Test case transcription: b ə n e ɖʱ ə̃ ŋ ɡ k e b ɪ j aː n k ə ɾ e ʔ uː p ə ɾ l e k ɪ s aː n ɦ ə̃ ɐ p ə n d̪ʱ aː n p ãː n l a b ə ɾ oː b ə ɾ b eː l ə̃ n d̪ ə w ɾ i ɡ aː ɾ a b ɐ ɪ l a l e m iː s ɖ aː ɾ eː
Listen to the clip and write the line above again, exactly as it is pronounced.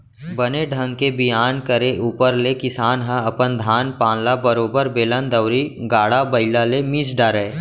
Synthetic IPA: b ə n e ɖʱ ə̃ ŋ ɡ k e b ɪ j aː n k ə ɾ e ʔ uː p ə ɾ l e k ɪ s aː n ɦ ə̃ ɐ p ə n d̪ʱ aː n p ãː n l a b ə ɾ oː b ə ɾ b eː l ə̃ n d̪ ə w ɾ i ɡ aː ɽ a b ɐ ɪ l a l e m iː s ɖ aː ɾ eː